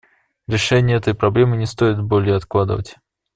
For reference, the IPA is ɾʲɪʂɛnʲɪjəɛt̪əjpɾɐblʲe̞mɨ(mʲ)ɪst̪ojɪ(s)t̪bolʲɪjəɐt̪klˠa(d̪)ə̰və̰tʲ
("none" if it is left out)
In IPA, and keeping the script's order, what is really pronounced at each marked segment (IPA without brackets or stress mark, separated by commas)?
nʲ, none, d̪